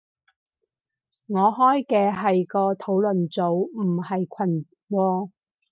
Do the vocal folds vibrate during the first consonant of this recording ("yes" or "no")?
yes